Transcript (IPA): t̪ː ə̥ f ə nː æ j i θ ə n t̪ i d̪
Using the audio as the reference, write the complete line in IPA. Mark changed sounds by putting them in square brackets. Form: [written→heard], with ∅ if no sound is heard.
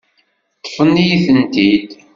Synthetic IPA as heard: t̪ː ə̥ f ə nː [æ→i] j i θ ə n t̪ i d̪

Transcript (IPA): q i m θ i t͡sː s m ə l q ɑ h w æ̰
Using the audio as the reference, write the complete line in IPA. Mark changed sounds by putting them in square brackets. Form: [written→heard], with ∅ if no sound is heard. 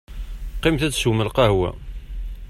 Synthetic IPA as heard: q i m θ [i→æ] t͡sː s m ə l q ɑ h w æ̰

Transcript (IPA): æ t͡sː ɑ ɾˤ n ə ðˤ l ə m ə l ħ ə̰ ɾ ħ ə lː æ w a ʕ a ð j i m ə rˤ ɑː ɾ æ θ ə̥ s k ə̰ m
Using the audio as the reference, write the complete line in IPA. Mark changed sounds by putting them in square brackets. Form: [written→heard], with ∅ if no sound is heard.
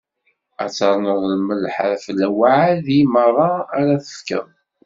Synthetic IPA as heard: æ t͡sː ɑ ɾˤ n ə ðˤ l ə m ə l ħ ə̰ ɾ [ħ→f] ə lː æ w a ʕ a ð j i m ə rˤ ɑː ɾ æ θ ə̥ [s→f] k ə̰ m

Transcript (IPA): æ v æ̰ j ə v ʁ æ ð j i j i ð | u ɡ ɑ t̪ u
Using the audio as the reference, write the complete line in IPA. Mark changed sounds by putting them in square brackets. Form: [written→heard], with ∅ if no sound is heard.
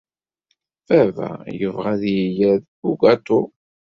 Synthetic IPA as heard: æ v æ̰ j ə v ʁ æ ð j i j [i→æ] ð | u ɡ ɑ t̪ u

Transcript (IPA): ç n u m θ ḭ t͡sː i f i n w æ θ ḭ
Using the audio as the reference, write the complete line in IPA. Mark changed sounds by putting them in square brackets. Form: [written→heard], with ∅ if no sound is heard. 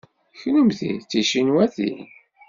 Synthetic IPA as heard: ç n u m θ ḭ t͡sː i [f→ʃ] i n w æ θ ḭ

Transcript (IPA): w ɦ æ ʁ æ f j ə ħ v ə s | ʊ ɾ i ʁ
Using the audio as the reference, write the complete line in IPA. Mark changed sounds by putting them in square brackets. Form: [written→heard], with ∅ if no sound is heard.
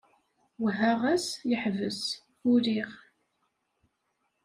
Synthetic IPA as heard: w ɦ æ ʁ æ [f→s] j ə ħ v ə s | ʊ ɾ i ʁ

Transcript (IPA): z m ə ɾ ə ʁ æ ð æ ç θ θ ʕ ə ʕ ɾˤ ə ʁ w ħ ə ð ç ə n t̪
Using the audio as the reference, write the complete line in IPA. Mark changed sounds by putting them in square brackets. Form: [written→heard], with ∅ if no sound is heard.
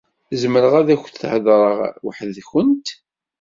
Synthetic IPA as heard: z m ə ɾ ə ʁ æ ð æ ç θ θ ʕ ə [ʕ→ð] ɾˤ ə ʁ w ħ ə ð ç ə n t̪

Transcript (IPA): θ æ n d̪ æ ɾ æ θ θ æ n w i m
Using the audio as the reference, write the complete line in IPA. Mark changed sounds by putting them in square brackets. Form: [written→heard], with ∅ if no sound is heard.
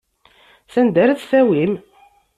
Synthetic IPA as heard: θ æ n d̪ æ ɾ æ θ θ æ [n→∅] w i m

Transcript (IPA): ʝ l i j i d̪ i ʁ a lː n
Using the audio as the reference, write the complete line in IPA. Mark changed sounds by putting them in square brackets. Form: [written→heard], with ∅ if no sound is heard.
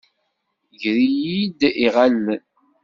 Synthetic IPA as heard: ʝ [l→ɾ] i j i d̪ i ʁ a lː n

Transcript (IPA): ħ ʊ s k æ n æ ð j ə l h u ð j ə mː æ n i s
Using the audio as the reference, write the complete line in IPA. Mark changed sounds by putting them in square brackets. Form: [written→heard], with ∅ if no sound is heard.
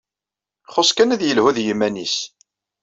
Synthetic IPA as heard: [ħ→χ] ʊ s k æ n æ ð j ə l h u ð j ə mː æ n i s

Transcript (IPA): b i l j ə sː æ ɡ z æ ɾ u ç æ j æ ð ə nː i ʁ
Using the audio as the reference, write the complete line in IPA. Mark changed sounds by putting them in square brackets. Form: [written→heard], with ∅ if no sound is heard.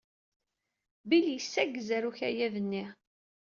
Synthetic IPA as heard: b i l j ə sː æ ɡ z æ ɾ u ç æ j æ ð ə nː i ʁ

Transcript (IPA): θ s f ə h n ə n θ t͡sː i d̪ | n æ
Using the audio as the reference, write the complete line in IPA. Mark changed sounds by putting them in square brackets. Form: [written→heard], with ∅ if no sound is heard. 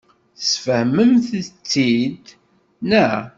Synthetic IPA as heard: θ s f ə h [n→m] ə [n→m] θ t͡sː i d̪ | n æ

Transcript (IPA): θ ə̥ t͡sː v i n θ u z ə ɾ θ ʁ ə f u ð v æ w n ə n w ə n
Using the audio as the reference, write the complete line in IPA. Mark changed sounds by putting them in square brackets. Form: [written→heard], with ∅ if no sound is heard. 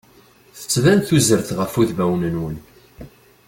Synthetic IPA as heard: θ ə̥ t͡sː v [i→æ] n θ u z ə ɾ θ ʁ ə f u ð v æ w n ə n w ə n

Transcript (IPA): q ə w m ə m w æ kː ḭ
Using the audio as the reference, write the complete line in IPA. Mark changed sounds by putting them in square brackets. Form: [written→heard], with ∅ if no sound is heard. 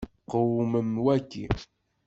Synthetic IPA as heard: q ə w m ə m w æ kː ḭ

